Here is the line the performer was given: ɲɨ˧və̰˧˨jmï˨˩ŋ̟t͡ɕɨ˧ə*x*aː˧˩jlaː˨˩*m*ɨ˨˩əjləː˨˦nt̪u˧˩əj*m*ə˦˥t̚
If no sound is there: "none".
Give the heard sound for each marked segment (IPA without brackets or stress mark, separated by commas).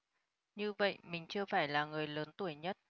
f, ŋ, ɲ